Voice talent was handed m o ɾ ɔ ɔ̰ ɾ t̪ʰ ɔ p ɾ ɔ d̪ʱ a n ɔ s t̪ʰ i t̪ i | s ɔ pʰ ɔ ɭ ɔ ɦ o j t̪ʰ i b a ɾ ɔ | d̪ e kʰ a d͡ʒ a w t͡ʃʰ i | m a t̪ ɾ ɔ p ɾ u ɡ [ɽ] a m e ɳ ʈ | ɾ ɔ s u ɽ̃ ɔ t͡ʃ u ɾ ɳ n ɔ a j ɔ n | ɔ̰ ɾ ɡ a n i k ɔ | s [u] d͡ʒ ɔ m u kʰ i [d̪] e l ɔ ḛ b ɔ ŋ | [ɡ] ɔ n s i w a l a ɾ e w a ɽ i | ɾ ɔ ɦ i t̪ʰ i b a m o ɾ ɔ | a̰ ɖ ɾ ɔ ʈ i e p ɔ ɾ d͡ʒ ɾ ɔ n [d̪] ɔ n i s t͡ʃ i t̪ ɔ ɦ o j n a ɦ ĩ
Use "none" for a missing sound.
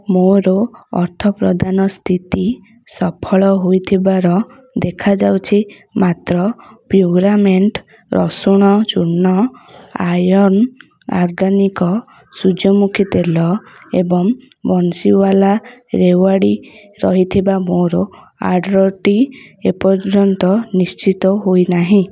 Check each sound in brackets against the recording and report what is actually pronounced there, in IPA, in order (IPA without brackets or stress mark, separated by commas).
ɾ, u, t̪, b, t̪